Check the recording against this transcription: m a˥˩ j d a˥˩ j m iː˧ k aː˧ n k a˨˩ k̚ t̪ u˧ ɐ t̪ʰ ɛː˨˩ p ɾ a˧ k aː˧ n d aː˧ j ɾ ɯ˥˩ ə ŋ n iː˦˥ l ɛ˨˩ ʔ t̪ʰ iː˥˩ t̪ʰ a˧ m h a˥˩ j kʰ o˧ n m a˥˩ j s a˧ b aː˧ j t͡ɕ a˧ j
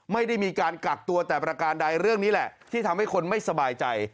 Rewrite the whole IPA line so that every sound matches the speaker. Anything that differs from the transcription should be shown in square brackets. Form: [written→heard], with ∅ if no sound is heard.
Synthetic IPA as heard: m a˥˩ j d a˥˩ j m iː˧ k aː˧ n k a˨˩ k̚ t̪ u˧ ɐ [t̪ʰ→t̪] ɛː˨˩ p ɾ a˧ k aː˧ n d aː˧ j ɾ ɯ˥˩ ə ŋ n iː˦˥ l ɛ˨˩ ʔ t̪ʰ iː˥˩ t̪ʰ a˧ m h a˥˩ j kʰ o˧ n m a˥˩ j s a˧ b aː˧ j t͡ɕ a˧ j